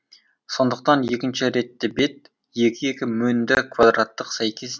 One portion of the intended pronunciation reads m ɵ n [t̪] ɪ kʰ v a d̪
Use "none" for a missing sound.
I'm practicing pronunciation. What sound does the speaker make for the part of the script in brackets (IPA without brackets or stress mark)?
d̪